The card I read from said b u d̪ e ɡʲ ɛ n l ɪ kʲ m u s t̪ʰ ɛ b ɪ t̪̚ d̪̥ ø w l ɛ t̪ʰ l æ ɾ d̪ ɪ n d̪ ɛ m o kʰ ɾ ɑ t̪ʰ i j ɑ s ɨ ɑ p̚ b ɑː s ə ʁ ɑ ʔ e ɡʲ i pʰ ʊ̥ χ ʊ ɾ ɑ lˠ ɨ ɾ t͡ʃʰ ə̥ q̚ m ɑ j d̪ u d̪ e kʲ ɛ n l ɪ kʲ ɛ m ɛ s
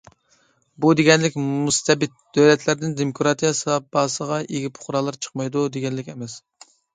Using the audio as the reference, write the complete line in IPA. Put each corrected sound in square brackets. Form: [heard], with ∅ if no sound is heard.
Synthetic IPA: b u d̪ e ɡʲ ɛ n l ɪ kʲ m u s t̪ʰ ɛ b ɪ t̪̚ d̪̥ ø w l ɛ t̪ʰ l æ ɾ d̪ ɪ n d̪ [e] m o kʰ ɾ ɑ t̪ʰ i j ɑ s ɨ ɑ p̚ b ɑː s ə ʁ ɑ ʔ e ɡʲ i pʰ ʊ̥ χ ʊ ɾ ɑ lˠ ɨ ɾ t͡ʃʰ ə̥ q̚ m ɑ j d̪ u d̪ e [ɡʲ] ɛ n l ɪ kʲ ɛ m ɛ s